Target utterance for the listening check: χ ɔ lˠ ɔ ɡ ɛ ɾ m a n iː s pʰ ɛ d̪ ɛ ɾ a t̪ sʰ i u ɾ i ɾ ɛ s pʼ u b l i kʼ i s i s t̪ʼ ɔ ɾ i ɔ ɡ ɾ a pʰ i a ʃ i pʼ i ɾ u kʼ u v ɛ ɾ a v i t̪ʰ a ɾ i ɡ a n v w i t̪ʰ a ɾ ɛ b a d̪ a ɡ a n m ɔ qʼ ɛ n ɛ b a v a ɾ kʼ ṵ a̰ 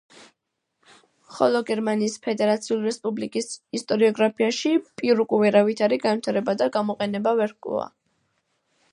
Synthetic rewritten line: χ ɔ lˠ ɔ ɡ ɛ ɾ m a n iː s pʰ ɛ d̪ ɛ ɾ a t̪ sʰ i u l i ɾ ɛ s pʼ u b l i kʼ i s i s t̪ʼ ɔ ɾ i ɔ ɡ ɾ a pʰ i a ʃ i pʼ i ɾ u kʼ u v ɛ ɾ a v i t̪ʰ a ɾ i ɡ a n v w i t̪ʰ a ɾ ɛ b a d̪ a ɡ a m ɔ qʼ ɛ n ɛ b a v ɛ ɾ kʼ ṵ a̰